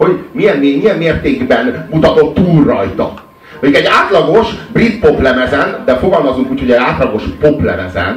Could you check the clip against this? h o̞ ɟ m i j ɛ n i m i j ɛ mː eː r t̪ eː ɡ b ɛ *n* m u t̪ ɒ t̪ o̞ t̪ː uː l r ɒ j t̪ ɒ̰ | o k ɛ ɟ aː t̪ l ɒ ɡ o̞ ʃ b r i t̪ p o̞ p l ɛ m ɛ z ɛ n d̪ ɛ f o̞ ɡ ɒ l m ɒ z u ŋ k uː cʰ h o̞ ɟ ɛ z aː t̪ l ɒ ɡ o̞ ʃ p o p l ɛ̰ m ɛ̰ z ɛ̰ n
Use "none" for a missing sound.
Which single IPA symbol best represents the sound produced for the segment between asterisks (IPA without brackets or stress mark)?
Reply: n